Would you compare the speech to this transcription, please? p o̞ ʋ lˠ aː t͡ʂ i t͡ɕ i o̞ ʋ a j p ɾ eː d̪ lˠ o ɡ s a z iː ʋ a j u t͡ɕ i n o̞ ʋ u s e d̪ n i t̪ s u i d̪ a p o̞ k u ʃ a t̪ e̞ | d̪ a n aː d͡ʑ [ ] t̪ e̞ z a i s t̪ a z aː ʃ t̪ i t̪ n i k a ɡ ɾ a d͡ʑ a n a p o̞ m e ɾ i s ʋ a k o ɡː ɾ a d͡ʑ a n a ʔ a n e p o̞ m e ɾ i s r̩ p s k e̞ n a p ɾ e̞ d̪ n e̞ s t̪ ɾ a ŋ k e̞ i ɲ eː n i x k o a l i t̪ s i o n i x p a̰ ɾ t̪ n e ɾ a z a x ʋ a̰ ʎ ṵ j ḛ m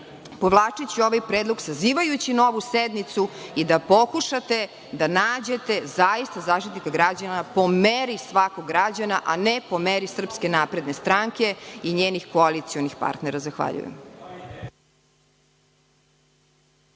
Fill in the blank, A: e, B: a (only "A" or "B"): A